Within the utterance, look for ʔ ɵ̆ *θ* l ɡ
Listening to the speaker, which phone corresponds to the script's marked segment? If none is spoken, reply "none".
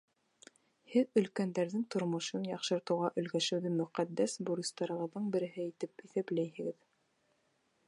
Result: none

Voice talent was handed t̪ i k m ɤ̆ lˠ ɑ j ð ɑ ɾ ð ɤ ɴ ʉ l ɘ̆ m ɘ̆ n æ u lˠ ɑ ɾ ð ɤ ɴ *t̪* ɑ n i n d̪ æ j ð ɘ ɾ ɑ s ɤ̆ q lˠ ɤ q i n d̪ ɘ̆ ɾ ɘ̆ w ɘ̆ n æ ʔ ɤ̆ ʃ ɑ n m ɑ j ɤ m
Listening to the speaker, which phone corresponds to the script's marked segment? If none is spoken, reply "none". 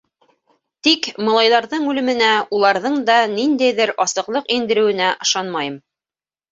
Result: d̪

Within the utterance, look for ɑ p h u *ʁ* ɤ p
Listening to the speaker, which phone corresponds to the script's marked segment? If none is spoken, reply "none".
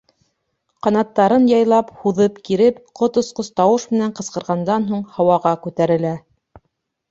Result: ð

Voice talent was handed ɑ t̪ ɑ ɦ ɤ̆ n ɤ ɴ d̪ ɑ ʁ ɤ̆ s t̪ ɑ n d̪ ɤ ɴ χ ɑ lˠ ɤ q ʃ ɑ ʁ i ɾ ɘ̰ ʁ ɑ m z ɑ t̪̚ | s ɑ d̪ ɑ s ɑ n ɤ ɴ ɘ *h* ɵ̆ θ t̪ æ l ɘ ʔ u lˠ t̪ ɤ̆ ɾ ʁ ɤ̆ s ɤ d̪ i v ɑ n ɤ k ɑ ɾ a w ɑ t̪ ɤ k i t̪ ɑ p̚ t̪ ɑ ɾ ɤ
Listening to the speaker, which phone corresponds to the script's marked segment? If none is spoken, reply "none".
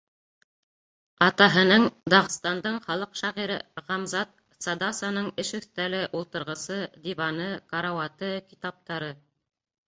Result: ʃ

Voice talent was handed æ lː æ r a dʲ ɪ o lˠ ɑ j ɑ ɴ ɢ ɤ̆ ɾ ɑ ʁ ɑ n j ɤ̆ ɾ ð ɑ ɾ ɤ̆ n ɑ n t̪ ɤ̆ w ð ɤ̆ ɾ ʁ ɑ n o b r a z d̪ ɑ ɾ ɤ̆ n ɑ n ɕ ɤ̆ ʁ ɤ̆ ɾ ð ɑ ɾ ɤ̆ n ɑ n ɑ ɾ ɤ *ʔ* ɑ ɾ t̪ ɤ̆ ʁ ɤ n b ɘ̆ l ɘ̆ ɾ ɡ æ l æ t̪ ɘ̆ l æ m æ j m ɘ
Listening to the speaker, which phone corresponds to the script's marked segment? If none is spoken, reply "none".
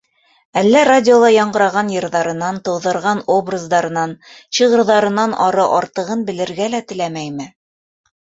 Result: ʔ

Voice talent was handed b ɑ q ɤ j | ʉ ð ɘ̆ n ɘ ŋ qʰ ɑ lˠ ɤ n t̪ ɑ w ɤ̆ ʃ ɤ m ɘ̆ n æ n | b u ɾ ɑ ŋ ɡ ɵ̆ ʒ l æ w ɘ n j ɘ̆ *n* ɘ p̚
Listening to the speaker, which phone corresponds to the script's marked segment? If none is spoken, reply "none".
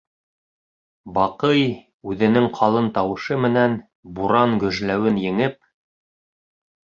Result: ŋ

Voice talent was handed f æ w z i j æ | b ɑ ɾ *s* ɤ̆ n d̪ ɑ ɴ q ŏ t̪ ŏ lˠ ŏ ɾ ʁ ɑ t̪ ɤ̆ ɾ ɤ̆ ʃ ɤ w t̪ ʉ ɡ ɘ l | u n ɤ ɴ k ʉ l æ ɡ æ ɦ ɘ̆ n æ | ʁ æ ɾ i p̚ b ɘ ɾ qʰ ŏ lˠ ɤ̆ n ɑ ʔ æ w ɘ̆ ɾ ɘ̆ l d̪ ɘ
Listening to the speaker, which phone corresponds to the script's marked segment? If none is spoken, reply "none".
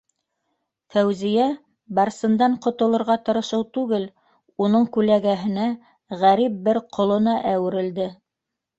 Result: s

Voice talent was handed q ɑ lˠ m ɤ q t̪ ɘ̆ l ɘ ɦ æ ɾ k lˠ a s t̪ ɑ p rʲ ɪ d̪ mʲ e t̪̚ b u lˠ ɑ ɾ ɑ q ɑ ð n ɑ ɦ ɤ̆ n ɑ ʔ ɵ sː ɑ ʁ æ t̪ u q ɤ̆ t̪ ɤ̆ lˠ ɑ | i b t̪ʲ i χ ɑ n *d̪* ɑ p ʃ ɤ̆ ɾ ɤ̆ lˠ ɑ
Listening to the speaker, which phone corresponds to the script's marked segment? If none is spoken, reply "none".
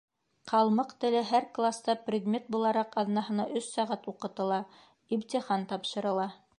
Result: t̪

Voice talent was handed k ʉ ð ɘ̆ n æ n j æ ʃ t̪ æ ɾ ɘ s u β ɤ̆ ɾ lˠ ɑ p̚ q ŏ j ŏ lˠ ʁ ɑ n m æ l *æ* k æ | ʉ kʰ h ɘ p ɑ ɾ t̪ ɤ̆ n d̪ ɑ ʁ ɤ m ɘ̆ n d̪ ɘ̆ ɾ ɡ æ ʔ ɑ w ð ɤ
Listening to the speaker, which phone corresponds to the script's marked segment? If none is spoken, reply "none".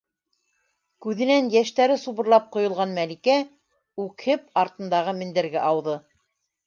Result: i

